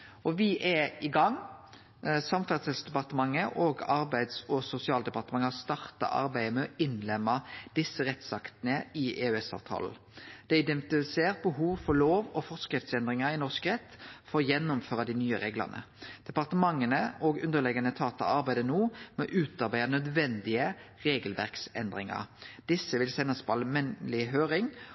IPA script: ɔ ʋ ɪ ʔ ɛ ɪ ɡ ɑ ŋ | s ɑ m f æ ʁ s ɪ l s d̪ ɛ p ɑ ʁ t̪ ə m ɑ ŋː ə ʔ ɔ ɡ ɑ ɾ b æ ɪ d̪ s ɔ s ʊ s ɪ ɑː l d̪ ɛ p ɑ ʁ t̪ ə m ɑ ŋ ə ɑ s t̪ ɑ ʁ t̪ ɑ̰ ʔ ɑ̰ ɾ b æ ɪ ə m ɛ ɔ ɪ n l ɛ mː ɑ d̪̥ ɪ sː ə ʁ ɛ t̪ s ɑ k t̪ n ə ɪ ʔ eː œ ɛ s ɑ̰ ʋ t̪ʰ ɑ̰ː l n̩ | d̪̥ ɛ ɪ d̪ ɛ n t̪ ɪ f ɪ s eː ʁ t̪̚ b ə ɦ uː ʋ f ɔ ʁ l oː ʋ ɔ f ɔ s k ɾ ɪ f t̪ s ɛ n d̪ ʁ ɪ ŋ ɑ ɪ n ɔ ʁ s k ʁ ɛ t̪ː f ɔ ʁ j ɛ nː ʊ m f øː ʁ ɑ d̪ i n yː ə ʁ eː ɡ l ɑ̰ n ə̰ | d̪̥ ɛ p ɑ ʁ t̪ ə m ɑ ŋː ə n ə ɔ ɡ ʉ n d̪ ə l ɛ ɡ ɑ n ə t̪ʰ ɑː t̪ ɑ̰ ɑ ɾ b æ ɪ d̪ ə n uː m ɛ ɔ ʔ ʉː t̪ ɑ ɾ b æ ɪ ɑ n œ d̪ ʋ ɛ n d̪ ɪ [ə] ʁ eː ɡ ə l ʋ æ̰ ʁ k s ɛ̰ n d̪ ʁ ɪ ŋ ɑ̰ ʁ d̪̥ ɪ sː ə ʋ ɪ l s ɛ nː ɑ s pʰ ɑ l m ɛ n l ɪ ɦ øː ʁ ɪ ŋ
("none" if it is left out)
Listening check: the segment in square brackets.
ə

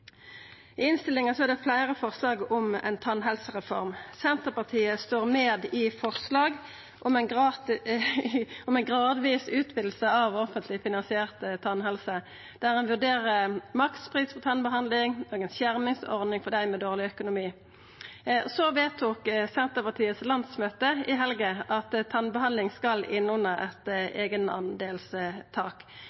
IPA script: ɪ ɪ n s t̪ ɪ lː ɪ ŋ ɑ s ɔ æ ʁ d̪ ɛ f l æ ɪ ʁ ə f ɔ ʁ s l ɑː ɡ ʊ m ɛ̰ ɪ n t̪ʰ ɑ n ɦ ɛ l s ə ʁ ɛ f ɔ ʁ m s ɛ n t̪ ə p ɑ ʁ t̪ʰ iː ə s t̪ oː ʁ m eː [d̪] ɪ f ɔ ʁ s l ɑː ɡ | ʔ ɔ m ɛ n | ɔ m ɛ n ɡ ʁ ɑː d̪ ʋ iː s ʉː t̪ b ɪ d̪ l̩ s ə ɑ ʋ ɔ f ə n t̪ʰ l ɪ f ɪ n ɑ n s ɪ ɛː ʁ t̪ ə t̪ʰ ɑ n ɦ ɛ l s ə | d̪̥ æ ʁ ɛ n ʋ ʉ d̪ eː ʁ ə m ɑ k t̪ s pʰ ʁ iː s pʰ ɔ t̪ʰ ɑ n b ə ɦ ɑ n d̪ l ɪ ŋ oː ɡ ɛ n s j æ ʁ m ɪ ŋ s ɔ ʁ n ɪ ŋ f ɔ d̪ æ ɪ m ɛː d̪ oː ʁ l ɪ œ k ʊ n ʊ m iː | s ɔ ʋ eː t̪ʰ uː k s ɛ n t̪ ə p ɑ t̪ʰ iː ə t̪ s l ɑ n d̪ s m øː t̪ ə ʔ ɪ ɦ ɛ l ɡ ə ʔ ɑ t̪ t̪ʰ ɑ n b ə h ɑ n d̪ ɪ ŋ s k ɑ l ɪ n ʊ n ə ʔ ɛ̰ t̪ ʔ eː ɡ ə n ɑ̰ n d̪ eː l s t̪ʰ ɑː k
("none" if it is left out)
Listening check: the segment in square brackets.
d̪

